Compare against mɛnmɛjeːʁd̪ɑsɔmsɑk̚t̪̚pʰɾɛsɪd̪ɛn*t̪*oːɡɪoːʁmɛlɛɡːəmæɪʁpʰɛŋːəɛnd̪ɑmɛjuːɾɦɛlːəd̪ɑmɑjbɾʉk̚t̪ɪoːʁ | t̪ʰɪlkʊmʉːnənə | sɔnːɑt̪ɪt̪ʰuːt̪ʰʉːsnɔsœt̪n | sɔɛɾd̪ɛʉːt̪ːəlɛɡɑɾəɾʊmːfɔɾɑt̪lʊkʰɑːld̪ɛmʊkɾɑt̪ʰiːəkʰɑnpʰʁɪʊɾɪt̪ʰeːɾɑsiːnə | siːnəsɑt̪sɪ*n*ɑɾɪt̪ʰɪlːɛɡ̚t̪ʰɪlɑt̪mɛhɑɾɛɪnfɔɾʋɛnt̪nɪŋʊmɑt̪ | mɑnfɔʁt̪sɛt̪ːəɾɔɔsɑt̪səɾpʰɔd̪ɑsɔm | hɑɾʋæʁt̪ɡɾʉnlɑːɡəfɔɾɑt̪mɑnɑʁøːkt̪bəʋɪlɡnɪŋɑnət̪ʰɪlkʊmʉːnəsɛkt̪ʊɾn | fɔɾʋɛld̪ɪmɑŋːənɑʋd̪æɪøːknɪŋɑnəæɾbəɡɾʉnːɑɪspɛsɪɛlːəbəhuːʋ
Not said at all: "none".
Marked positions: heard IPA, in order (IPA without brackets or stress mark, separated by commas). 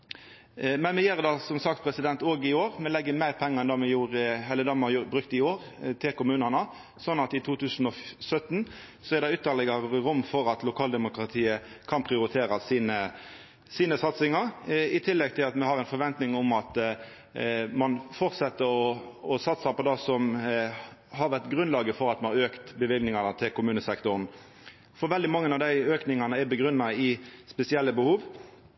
t̪, ŋ